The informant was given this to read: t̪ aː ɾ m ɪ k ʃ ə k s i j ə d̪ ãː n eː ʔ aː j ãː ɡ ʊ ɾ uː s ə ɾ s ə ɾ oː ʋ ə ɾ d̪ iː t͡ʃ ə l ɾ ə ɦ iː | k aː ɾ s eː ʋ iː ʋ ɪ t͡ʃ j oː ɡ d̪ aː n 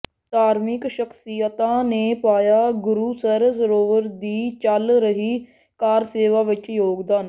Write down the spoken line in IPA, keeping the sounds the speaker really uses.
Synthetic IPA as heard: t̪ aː ɾ m ɪ k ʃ ə k s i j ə t̪ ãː n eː p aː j aː ɡ ʊ ɾ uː s ə ɾ s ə ɾ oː ʋ ə ɾ d̪ iː t͡ʃ ə l ɾ ə ɦ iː | k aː ɾ s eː ʋ aː ʋ ɪ t͡ʃ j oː ɡ d̪ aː n